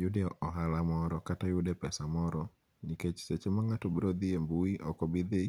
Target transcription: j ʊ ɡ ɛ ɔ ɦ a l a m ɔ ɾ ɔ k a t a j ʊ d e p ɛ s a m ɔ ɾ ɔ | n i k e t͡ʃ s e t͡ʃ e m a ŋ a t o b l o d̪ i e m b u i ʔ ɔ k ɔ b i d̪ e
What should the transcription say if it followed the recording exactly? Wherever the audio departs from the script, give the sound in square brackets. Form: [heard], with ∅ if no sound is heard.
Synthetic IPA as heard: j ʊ [d] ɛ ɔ ɦ a l a m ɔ ɾ ɔ k a t a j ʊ d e p ɛ s a m ɔ ɾ ɔ | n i k e t͡ʃ s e t͡ʃ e m a ŋ a t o b [ɾ] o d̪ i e m b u i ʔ ɔ k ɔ b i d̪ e